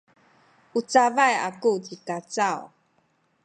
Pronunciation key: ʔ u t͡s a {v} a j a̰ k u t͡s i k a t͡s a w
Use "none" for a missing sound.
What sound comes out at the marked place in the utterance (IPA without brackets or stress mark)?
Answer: v